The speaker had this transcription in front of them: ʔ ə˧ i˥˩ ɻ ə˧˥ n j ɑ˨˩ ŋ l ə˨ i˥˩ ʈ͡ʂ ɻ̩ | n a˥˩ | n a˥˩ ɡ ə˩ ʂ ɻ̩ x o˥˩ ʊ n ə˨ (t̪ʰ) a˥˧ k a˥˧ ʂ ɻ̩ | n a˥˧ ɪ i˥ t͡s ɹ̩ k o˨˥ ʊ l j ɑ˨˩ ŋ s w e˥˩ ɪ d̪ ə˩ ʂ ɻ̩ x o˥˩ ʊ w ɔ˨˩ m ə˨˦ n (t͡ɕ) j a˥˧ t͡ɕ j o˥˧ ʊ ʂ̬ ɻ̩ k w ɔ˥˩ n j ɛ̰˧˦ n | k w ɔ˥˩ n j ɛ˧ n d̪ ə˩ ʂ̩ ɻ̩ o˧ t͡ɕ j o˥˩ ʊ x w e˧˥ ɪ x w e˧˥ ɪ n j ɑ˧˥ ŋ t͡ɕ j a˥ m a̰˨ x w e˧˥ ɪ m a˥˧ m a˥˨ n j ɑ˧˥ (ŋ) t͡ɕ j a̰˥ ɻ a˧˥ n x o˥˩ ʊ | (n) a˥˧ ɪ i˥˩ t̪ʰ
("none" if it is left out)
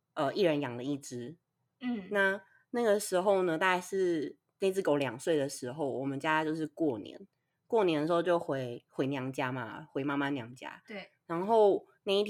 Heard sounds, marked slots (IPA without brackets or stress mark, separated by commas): t̪, t͡ɕ, ŋ, n